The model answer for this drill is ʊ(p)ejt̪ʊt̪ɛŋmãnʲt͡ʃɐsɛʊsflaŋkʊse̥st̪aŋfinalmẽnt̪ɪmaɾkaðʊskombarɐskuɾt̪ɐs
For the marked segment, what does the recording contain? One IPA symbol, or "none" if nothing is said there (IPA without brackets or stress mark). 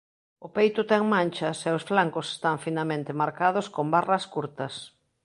p